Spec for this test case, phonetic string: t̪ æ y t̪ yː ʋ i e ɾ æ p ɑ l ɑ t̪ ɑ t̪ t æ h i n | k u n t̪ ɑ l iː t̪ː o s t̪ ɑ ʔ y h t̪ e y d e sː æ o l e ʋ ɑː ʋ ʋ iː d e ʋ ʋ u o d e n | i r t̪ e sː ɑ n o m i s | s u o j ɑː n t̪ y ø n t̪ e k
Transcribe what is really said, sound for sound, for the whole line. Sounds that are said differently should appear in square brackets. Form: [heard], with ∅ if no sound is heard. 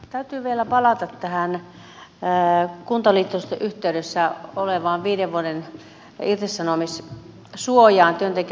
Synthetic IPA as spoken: t̪ æ y t̪ yː ʋ i e [l] æ p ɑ l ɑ t̪ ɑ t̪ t æ h [æ] n | k u n t̪ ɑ l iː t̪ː o s t̪ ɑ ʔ y h t̪ e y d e sː æ o l e ʋ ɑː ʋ ʋ iː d e ʋ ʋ u o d e n | i r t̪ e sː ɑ n o m i s | s u o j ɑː n t̪ y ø n t̪ e k